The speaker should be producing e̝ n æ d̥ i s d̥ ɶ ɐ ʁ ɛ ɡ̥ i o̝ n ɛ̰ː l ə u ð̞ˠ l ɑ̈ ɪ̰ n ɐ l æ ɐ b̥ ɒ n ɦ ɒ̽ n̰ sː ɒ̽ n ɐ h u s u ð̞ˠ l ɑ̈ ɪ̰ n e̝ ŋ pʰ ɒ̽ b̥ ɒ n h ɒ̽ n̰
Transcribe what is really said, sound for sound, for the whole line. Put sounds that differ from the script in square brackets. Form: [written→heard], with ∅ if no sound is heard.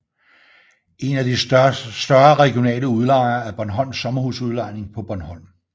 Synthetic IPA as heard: e̝ n æ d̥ i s d̥ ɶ ɐ ʁ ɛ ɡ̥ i o̝ n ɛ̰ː l ə u ð̞ˠ l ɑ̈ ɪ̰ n ɐ [l→∅] æ ɐ b̥ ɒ n ɦ ɒ̽ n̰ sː ɒ̽ [n→m] ɐ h u s u ð̞ˠ l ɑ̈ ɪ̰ n e̝ ŋ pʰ ɒ̽ b̥ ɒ n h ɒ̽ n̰